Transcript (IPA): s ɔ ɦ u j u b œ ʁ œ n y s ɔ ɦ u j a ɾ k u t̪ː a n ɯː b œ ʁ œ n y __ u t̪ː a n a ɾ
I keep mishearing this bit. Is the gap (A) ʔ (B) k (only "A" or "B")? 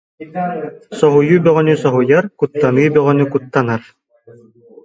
B